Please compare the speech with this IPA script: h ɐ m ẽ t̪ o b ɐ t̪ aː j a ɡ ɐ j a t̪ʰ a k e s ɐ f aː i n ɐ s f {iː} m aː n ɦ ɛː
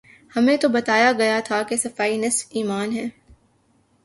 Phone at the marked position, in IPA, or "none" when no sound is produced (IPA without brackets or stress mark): iː